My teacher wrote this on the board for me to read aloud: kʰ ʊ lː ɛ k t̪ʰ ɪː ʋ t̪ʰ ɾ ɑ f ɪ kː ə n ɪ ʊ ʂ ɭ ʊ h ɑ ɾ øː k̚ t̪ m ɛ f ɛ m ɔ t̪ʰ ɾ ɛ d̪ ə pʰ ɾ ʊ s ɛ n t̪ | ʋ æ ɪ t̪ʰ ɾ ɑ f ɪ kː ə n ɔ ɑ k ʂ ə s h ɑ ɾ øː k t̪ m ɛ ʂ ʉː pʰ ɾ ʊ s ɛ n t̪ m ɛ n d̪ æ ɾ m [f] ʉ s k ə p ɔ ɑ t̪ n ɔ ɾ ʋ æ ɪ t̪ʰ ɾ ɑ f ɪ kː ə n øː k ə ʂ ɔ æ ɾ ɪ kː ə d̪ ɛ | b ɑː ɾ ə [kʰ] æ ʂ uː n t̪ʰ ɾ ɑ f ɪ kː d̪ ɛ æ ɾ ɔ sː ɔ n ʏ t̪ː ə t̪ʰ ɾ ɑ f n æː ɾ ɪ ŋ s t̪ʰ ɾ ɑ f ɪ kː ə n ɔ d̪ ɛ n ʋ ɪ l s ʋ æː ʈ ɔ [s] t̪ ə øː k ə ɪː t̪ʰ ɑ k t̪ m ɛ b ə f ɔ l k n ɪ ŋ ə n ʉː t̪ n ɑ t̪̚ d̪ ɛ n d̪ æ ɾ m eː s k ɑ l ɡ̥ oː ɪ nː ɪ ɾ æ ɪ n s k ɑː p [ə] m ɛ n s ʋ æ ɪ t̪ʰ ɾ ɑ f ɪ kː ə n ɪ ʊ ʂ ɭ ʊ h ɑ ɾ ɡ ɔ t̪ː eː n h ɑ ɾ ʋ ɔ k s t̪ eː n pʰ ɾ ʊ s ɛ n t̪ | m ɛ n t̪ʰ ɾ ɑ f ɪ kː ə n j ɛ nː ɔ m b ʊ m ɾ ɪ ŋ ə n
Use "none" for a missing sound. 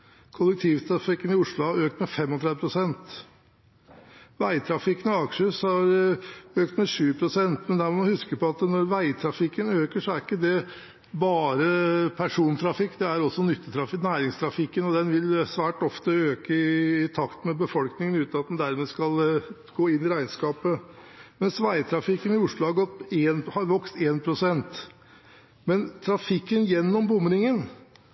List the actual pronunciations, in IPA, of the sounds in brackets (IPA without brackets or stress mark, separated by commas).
h, pʰ, f, ə